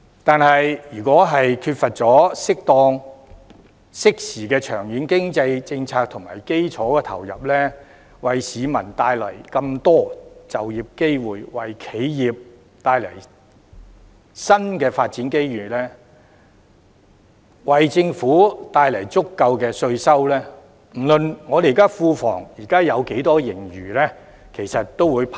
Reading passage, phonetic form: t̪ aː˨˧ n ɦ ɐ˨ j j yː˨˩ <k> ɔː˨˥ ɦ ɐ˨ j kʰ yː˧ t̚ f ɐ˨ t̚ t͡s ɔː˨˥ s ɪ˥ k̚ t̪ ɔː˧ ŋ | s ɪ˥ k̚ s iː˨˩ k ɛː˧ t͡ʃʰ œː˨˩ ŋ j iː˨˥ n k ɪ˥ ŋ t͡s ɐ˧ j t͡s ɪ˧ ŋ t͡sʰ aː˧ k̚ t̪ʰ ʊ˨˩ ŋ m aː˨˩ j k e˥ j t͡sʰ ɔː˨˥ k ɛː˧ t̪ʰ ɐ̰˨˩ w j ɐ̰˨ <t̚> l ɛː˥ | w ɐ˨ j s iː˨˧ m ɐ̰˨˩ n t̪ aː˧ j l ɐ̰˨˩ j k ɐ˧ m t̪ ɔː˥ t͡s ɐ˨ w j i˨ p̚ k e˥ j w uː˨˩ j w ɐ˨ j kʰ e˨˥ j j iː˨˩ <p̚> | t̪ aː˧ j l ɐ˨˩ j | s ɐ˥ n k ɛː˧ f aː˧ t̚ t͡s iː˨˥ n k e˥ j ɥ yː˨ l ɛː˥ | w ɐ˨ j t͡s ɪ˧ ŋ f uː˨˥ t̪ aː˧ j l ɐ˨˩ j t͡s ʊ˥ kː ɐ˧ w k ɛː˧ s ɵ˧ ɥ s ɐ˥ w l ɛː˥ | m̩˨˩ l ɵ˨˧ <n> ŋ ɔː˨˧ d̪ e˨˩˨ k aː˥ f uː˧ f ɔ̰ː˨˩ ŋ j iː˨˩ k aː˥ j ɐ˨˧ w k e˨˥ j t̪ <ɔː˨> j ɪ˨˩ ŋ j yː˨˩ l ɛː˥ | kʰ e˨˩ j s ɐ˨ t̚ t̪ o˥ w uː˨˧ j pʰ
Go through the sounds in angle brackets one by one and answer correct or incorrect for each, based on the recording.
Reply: correct, incorrect, correct, correct, incorrect

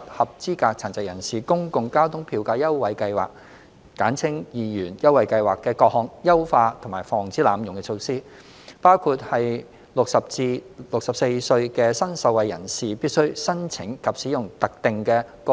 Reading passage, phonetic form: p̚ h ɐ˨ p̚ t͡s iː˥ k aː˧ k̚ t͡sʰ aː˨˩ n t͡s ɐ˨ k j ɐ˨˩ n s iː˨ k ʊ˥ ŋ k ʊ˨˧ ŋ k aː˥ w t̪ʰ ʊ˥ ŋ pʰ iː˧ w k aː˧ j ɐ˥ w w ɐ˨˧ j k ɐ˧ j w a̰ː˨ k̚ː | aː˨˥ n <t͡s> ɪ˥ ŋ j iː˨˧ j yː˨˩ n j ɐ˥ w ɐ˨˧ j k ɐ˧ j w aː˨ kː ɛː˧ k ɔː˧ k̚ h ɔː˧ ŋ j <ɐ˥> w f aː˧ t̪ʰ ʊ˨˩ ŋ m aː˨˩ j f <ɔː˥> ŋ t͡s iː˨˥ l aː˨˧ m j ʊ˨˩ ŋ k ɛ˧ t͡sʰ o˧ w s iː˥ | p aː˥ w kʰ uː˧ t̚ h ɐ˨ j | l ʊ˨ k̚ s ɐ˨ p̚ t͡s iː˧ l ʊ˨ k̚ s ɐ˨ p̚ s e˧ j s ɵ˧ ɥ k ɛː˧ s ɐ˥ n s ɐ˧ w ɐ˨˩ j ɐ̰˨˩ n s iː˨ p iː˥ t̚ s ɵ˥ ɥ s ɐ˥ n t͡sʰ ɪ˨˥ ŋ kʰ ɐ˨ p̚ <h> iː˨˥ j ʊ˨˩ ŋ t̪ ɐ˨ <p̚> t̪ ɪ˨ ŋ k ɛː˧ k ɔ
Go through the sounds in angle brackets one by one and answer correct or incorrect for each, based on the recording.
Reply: incorrect, correct, incorrect, incorrect, incorrect

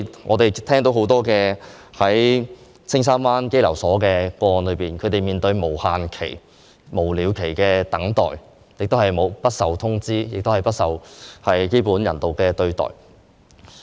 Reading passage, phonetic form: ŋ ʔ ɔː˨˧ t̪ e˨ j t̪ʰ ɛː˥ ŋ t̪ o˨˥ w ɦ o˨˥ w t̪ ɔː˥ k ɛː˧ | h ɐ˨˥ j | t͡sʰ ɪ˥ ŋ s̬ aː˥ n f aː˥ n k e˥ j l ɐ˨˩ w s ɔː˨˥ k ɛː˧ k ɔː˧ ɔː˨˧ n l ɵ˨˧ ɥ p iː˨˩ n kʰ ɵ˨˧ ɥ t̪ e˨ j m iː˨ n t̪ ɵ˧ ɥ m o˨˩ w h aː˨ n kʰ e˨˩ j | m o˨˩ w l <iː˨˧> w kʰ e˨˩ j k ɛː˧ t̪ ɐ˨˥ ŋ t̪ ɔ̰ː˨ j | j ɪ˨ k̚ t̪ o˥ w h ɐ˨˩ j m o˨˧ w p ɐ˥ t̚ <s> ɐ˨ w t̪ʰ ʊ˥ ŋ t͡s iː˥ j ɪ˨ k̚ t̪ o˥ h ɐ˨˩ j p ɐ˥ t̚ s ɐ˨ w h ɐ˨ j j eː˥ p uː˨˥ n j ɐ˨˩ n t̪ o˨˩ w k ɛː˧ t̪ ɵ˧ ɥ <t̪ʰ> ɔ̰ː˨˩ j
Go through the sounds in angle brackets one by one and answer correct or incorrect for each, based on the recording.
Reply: correct, correct, incorrect

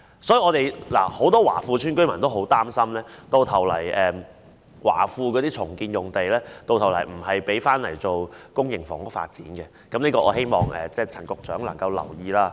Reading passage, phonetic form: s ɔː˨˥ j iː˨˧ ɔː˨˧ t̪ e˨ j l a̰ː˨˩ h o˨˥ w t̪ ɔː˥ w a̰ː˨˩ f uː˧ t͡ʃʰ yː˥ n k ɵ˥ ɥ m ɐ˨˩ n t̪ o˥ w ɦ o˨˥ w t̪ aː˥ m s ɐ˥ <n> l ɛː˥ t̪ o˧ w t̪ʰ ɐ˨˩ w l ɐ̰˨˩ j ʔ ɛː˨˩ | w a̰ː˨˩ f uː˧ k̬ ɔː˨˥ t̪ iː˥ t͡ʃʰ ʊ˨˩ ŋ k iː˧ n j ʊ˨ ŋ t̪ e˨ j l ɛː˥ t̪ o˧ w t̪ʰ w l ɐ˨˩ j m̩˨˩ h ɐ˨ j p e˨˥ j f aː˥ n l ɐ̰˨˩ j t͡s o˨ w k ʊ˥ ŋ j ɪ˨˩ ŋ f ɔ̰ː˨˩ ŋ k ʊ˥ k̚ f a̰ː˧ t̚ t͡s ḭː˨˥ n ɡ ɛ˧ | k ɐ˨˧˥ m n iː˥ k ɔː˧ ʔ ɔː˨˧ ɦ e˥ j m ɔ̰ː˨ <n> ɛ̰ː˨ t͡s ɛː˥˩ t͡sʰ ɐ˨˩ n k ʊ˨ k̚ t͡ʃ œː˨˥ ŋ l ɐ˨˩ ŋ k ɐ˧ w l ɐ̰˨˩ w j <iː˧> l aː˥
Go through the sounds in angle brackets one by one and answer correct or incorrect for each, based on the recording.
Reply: incorrect, incorrect, correct

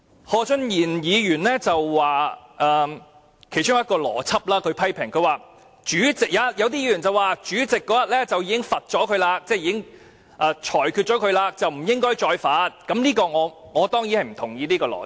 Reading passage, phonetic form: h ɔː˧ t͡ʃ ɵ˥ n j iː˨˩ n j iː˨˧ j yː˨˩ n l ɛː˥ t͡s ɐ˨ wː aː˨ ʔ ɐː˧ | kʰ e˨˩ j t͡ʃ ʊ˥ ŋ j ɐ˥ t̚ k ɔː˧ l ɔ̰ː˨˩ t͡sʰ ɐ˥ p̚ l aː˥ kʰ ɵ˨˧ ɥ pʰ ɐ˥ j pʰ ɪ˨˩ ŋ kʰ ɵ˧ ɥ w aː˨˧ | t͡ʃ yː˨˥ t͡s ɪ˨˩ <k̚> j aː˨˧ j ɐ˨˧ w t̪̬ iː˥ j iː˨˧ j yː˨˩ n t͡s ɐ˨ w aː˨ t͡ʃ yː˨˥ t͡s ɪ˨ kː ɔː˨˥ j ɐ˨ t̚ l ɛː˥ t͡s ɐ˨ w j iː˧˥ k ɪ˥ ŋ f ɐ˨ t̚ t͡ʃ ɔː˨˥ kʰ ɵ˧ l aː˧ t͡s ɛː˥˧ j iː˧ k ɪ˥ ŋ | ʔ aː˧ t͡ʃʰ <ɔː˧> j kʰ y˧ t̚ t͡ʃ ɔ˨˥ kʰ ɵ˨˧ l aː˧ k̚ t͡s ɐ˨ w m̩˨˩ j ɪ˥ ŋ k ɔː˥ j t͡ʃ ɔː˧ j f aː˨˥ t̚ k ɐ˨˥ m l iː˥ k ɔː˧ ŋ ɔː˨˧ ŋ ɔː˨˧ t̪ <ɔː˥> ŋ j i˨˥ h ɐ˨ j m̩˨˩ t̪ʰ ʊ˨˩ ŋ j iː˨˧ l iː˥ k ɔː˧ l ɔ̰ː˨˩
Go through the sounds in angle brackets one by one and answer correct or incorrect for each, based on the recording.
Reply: correct, incorrect, correct

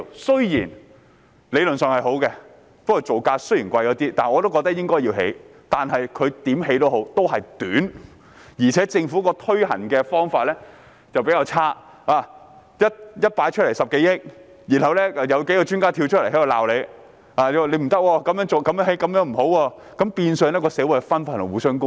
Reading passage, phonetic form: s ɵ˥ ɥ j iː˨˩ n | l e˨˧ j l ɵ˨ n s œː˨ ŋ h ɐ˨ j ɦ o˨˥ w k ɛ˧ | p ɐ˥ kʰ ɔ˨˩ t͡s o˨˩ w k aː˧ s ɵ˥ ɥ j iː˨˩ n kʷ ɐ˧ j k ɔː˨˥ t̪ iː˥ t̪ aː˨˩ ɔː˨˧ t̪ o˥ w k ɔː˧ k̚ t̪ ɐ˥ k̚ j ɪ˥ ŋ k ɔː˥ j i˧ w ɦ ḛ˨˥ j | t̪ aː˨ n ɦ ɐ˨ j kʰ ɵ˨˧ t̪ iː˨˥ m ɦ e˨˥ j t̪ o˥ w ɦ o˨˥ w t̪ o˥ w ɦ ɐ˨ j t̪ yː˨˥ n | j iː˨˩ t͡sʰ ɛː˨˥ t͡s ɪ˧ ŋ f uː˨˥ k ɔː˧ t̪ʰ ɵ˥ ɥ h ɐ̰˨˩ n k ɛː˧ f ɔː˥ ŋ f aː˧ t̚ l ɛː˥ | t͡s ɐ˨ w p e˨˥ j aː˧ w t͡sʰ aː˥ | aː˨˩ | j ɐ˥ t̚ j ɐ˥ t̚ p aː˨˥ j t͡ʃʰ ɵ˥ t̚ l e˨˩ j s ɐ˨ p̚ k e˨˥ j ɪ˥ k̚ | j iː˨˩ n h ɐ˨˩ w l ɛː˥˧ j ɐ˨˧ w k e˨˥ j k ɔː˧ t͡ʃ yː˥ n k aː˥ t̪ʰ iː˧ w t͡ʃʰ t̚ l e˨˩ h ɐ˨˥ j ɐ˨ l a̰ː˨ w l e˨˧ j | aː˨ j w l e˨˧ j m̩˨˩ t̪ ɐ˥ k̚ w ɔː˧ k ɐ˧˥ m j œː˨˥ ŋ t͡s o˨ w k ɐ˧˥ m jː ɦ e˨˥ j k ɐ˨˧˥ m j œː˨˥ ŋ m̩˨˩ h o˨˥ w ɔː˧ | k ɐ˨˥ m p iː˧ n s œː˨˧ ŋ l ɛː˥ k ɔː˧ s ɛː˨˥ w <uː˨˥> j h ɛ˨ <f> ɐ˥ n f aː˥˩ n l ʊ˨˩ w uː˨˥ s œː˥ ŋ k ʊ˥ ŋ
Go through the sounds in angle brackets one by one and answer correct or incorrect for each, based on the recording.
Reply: incorrect, correct

